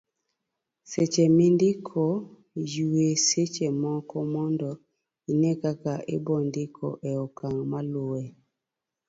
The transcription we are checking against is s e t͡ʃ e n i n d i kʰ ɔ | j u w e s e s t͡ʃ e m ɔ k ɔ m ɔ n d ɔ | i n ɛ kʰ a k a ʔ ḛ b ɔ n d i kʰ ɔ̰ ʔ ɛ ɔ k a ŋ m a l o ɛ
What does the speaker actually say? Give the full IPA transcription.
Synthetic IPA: s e t͡ʃ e m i n d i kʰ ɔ | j u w e s e t͡ʃ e m ɔ k ɔ m ɔ n d ɔ | i n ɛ k a k a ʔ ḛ b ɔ n d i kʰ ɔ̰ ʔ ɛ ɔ k a ŋ m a l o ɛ